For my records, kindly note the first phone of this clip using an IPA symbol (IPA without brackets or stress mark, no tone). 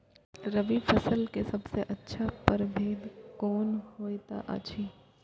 ɾ